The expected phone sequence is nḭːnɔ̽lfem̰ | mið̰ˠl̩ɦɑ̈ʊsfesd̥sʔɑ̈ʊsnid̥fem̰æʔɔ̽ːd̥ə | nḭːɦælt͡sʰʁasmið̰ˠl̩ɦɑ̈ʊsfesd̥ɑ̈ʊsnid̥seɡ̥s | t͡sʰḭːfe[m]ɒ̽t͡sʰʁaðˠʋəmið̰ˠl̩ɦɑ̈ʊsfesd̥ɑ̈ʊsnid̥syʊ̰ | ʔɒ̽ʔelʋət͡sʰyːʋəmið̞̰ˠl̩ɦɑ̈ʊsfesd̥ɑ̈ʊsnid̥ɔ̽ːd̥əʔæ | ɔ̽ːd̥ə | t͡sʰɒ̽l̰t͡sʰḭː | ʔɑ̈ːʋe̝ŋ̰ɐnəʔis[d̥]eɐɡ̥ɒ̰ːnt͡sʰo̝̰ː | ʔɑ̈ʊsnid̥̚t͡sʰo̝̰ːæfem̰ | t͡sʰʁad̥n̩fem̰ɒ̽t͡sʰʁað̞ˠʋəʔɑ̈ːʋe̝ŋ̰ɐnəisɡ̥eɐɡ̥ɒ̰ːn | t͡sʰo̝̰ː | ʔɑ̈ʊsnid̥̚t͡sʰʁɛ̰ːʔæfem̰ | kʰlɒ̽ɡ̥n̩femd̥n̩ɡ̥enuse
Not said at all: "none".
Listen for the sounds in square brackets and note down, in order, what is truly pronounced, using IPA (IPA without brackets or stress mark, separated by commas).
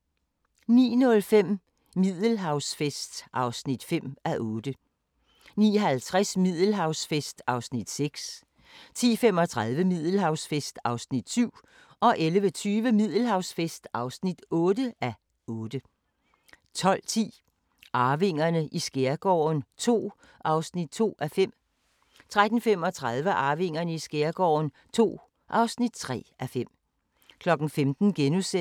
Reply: m, ɡ̥